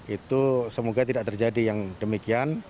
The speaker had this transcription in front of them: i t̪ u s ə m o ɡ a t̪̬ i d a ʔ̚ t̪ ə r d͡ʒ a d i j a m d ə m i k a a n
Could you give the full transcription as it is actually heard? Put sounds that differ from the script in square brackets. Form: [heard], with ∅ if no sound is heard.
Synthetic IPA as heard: i t̪ u s ə m o ɡ a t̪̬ i d a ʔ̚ t̪ ə r d͡ʒ a d i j a [ŋ] d ə m i k [i] a n

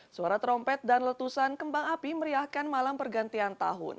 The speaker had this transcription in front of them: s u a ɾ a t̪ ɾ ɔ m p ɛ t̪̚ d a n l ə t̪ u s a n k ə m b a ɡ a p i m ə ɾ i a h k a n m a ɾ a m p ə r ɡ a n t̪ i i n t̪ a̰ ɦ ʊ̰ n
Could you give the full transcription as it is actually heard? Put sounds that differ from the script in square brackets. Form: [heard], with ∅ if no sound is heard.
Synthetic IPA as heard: s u a ɾ a t̪ ɾ ɔ m p ɛ t̪̚ d a n l ə t̪ u s a n k ə m b a [ŋ] a p i m ə ɾ i a h k a n m a [l] a m p ə r ɡ a n t̪ i [a] n t̪ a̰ ɦ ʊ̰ n

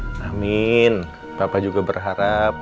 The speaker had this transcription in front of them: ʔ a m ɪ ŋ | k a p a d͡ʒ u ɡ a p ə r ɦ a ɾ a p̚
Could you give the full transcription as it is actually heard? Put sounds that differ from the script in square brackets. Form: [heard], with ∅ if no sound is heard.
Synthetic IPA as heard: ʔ a m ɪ [n] | [p] a p a d͡ʒ u ɡ a [b] ə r ɦ a ɾ a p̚

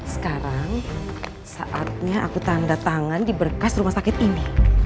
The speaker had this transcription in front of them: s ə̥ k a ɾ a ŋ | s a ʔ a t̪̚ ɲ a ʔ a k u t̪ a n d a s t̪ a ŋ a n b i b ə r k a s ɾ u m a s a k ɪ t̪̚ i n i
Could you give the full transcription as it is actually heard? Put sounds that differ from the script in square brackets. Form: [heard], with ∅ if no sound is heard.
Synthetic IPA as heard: s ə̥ k a ɾ a ŋ | s a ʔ a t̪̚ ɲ a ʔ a k u t̪ a n d a [∅] t̪ a ŋ a n [d] i b ə r k a s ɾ u m a s a k ɪ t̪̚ i n i

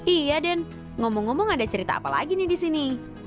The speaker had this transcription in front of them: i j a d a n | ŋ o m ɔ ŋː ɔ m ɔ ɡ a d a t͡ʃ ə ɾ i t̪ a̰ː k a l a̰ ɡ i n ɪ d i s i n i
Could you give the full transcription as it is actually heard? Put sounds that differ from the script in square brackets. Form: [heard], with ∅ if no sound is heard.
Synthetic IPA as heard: i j a d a n | ŋ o m ɔ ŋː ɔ m ɔ [ŋ] a d a t͡ʃ ə ɾ i t̪ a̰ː [p] a l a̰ ɡ i n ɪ d i s i n i

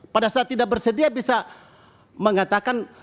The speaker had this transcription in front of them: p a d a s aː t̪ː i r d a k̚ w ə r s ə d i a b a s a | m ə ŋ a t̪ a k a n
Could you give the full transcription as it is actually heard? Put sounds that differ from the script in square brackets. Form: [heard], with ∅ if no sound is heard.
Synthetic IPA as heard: p a d a s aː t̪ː i [∅] d a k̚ [b] ə r s ə d i a b [i] s a | m ə ŋ a t̪ a k a n

